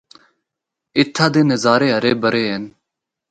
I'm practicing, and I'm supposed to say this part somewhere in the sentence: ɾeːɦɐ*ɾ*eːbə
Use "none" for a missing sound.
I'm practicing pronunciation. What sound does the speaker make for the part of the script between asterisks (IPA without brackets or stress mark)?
ɾ